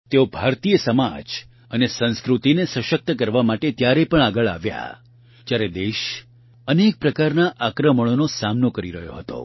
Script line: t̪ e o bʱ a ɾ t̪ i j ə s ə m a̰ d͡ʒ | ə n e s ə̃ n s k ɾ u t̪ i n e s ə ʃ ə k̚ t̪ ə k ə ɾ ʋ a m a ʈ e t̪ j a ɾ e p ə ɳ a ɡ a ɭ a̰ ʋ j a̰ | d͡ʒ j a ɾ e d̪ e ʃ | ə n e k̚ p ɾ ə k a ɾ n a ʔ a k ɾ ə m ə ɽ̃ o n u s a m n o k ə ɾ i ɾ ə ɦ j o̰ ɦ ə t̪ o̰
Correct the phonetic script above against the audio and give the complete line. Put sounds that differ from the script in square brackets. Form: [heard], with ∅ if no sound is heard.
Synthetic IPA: t̪ e o bʱ a ɾ t̪ i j ə s ə m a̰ d͡ʒ | ə n e s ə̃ n s k ɾ u t̪ i n e s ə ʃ ə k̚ t̪ ə k ə ɾ ʋ a m a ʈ e t̪ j a ɾ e p ə ɳ a ɡ [ə] ɭ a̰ ʋ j a̰ | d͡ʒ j a ɾ e d̪ e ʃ | ə n e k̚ p ɾ ə k a ɾ n a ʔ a k ɾ ə m ə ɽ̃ o n [o] s a m n o k ə ɾ i ɾ ə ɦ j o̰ ɦ ə t̪ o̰